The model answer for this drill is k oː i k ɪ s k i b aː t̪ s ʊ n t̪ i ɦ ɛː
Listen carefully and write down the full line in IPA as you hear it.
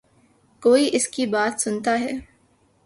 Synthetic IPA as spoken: k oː i ʔ ɪ s k i b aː t̪ s ʊ n t̪ a ɦ ɛː